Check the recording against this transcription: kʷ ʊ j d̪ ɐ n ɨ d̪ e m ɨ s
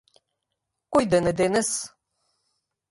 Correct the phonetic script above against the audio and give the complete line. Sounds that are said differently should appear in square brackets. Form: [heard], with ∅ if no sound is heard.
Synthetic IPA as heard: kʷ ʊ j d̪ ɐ n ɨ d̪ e [n] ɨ s